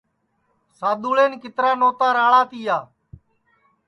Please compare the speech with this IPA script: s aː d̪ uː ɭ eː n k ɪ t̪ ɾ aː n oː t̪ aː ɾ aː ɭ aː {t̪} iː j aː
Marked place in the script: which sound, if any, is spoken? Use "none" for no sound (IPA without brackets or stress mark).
t̪